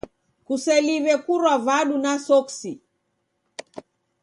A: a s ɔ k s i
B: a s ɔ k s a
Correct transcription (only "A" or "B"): A